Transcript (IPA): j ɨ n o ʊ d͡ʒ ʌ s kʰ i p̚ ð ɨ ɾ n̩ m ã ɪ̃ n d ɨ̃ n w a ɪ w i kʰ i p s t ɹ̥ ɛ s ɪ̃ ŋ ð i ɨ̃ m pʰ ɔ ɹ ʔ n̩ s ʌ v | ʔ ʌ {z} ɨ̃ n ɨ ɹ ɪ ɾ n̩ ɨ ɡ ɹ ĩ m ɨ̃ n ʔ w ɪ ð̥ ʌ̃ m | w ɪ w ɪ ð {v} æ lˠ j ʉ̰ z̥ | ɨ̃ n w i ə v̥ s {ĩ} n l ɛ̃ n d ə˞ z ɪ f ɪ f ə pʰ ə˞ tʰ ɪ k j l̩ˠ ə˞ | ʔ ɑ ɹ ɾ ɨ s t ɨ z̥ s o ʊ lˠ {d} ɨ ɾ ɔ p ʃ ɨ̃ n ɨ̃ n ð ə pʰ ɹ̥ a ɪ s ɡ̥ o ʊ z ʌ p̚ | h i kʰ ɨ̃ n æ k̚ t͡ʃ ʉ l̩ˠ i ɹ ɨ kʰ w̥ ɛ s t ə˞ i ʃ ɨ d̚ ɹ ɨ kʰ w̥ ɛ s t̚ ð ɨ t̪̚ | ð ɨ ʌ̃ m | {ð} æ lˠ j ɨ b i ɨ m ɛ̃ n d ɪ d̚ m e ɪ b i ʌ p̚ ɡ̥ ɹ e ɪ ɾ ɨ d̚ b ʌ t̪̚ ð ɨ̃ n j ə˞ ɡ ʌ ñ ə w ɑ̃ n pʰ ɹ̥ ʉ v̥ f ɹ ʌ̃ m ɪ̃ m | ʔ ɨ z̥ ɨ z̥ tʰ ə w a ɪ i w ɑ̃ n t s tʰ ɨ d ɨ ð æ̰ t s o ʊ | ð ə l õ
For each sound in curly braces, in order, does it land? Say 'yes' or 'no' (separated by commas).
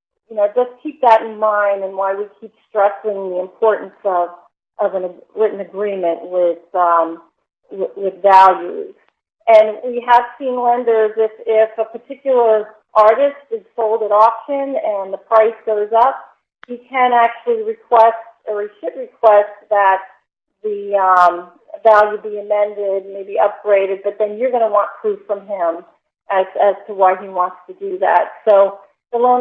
no, yes, yes, yes, no